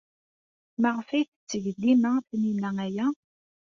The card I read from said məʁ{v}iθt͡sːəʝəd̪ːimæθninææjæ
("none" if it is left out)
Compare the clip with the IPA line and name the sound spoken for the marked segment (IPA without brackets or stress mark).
f